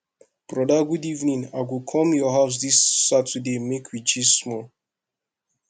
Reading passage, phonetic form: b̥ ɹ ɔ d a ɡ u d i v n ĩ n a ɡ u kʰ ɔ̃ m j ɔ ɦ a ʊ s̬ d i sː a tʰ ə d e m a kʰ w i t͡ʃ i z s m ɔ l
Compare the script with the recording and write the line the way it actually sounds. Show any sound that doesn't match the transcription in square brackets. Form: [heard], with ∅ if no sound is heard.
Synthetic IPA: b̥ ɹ ɔ d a ɡ u d i v n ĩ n a ɡ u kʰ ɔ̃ m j ɔ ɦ a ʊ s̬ d i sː a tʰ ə d e m [e] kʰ w i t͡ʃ i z s m ɔ l